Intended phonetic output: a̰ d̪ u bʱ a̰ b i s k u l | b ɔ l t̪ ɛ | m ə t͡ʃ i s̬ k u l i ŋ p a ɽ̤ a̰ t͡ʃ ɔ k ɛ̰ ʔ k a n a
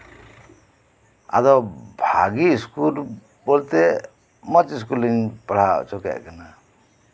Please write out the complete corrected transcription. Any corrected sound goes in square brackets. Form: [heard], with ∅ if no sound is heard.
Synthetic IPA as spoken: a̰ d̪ [ɔ] bʱ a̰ [ɡ] i s k u l | b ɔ l t̪ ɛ | m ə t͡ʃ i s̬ k u l i ŋ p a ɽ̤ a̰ t͡ʃ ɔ k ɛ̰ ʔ k a n a